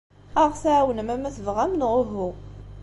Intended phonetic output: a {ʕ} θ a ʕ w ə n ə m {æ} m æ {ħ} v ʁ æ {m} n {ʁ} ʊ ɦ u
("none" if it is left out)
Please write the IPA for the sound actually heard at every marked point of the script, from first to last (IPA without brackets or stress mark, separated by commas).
ʁ, æ, θ, m, ʁ